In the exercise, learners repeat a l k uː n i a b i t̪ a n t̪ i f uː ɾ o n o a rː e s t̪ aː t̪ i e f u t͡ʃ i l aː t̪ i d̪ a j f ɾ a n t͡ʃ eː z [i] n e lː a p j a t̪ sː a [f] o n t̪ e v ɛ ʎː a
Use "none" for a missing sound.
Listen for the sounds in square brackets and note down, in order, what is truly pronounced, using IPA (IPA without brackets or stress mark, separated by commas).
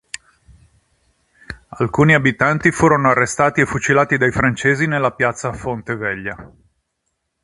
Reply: i, f